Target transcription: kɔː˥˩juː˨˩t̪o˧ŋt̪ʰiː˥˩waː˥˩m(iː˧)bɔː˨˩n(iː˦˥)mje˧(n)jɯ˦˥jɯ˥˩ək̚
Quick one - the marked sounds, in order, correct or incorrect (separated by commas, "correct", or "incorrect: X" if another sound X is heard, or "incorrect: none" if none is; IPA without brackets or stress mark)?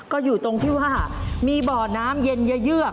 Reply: correct, incorrect: aː˦˥, correct